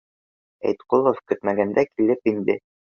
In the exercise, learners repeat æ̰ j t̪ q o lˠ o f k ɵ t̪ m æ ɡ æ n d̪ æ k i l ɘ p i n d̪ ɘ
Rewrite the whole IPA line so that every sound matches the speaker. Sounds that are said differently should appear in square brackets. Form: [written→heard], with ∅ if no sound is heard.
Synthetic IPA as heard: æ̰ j t̪ q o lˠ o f k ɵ t̪ m æ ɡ æ n d̪ æ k i l ɘ p i n d̪ ɘ